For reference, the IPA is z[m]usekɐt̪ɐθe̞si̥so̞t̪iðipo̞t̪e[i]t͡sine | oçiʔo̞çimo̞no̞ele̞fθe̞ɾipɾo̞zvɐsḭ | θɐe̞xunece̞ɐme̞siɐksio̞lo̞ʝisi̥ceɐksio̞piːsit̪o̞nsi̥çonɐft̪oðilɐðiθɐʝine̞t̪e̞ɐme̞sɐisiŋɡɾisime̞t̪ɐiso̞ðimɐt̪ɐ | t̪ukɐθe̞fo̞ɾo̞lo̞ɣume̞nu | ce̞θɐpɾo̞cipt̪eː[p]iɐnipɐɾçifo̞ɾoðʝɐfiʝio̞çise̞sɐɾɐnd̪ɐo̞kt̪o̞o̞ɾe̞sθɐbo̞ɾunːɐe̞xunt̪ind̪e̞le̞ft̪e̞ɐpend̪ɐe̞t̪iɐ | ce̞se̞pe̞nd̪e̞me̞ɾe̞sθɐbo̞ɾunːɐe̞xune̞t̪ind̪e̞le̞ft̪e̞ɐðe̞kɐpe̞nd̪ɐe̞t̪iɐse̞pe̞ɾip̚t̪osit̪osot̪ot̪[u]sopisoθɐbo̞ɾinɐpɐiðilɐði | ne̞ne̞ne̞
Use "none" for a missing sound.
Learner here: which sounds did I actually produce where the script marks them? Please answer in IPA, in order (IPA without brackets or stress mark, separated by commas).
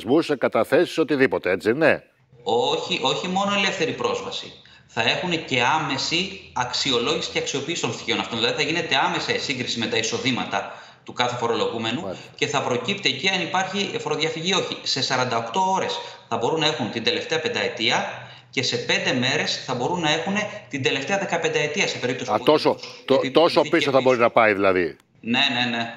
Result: m, e, c, o